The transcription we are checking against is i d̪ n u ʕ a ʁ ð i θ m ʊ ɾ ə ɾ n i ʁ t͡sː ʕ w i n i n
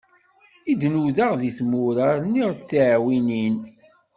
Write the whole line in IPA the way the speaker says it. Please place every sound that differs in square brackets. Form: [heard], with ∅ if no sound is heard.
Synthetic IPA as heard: i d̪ n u [ð] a ʁ ð i θ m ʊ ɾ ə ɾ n i ʁ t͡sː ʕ w i n i n